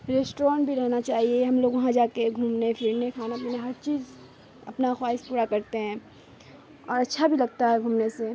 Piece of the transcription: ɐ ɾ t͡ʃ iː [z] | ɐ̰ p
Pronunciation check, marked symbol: correct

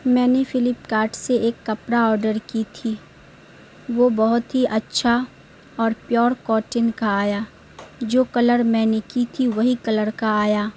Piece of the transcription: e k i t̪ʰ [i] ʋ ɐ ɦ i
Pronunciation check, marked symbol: correct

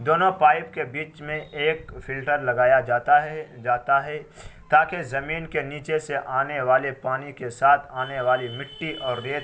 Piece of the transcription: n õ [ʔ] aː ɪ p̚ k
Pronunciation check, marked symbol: incorrect: p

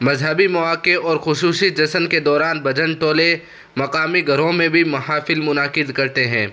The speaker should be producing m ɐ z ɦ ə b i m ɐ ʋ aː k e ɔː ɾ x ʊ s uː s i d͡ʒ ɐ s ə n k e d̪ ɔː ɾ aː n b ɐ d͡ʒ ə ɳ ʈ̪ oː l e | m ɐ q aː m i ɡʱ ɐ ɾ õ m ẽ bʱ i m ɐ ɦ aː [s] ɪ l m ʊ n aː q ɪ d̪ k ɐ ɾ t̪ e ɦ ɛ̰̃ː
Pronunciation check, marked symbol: incorrect: f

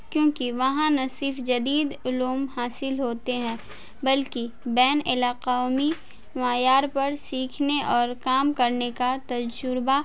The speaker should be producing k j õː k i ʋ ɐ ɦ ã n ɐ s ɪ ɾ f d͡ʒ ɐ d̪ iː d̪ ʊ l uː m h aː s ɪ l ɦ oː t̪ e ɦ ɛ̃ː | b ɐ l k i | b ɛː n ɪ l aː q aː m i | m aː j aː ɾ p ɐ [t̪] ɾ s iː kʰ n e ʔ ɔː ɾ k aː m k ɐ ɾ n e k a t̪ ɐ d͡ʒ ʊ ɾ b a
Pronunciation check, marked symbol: incorrect: none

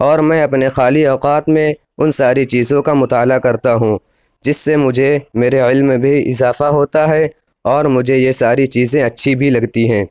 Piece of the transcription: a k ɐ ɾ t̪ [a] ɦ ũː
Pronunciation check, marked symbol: correct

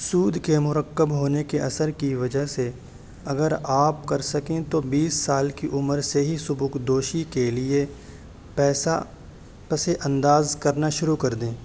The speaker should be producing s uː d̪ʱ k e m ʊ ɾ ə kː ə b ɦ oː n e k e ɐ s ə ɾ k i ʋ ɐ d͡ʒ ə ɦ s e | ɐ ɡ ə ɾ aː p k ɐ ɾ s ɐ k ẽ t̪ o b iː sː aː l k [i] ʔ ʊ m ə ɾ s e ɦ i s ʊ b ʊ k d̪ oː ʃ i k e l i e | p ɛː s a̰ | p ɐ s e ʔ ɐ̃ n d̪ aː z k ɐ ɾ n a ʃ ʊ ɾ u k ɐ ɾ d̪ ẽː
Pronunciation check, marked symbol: correct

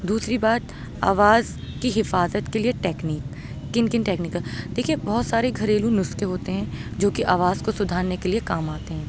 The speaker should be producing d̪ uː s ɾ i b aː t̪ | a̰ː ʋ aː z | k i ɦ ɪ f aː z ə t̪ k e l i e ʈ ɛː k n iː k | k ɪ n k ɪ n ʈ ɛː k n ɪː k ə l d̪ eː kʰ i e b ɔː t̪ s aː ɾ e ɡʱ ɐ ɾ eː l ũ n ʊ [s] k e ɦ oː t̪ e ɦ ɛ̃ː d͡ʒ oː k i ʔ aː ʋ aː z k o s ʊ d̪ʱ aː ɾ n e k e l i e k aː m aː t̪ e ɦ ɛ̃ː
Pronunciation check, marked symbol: correct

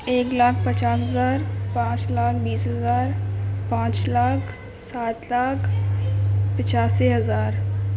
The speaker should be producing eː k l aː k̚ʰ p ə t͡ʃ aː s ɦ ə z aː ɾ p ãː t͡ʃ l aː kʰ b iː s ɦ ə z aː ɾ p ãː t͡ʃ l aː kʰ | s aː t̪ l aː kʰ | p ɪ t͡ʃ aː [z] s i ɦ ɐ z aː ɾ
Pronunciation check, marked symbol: incorrect: none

